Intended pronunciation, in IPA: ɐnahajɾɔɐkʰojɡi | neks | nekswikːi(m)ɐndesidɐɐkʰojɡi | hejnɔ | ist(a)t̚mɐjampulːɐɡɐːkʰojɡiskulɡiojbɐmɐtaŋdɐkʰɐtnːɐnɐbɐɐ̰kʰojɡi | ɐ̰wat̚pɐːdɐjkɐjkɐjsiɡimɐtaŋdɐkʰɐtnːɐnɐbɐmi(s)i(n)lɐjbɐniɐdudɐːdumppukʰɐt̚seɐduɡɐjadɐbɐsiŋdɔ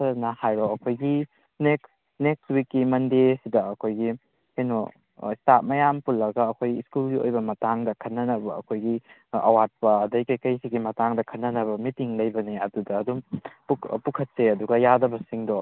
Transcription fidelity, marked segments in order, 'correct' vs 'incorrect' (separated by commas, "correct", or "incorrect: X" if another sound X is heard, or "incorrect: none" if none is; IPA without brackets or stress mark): correct, correct, incorrect: t, incorrect: ŋ